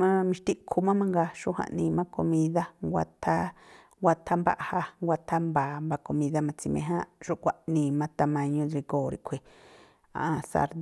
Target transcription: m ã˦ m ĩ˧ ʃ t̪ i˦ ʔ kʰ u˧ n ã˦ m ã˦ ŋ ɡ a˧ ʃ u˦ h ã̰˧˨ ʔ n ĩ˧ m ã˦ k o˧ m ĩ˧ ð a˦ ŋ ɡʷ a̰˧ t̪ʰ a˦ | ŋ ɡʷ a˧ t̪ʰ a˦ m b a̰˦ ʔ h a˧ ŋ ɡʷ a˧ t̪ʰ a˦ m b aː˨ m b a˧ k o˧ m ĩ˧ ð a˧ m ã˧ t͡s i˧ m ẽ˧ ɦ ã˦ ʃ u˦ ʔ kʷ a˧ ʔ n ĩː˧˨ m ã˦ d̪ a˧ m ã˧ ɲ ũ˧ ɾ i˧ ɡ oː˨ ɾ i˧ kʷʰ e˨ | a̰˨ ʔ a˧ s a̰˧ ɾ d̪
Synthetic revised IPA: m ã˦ m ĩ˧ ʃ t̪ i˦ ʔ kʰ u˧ m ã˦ m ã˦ ŋ ɡ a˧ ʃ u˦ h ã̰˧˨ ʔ n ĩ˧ m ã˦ k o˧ m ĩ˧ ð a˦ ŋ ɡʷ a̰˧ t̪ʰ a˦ | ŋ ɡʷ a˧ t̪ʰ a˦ m b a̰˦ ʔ h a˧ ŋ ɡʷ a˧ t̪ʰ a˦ m b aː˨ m b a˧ k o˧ m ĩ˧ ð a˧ m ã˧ t͡s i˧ m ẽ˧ ɦ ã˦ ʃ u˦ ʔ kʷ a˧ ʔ n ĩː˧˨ m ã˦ t̪ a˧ m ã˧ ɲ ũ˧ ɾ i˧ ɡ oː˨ ɾ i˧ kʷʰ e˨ | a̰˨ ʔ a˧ s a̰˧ ɾ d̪